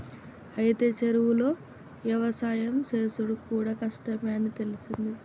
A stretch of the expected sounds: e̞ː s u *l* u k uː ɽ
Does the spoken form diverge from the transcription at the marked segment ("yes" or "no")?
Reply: yes